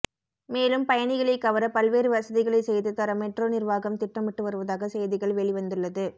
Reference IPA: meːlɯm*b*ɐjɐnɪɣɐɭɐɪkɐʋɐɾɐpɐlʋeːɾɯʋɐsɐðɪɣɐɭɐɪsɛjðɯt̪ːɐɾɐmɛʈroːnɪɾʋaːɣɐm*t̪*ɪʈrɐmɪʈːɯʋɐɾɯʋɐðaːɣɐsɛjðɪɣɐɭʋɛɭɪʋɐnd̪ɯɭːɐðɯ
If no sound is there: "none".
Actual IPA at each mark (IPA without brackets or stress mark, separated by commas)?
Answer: p, t̪